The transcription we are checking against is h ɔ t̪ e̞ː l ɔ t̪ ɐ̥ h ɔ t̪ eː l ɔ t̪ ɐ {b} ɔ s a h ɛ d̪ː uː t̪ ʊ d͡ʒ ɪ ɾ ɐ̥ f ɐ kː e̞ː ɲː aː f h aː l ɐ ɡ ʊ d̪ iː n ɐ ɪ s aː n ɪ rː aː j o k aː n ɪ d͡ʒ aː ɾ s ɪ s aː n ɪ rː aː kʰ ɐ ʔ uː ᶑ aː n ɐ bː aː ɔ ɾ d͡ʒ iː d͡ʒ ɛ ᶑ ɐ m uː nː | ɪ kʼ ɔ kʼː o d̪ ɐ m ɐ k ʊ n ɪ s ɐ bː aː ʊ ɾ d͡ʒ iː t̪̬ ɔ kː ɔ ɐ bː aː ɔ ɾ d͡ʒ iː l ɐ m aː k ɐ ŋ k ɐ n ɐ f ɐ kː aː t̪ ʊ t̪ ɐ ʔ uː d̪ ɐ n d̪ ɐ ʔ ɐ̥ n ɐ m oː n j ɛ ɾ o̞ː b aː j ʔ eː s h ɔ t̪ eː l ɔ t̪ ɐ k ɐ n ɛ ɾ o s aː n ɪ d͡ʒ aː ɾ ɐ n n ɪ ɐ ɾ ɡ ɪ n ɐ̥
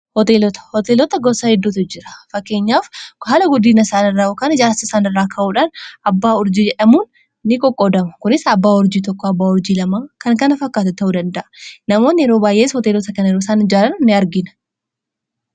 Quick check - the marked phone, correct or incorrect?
incorrect